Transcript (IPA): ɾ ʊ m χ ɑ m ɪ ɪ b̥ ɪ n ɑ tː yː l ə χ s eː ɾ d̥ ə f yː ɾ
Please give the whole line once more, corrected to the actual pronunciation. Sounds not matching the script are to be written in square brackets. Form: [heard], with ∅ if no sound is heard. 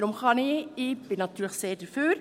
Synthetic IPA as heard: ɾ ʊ m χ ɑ [n] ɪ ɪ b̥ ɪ n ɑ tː yː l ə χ s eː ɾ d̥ ə f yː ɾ